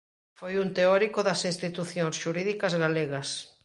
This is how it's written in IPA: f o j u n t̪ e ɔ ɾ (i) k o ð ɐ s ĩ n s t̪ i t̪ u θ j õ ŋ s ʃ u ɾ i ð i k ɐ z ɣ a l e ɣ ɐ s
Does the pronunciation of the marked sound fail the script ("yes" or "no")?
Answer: no